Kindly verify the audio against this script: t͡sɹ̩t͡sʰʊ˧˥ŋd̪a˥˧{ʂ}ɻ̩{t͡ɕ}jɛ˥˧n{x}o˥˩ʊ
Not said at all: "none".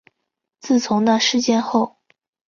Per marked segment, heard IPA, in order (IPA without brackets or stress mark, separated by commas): ʂ, t͡ɕ, x